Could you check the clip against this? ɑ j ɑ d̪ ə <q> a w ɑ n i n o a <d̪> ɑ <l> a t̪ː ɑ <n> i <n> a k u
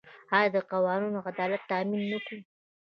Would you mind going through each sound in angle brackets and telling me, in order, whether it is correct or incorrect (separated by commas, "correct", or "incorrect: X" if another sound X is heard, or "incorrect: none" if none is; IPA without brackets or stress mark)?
correct, correct, correct, incorrect: m, incorrect: nː